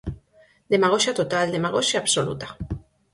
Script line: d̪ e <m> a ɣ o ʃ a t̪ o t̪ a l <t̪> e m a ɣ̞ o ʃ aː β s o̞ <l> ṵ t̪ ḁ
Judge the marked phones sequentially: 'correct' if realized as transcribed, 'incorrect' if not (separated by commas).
correct, incorrect, correct